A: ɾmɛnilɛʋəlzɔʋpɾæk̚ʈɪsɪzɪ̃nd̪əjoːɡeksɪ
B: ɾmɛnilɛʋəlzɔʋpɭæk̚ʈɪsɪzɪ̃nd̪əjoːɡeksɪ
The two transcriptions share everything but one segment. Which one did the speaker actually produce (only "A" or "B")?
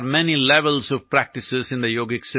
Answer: A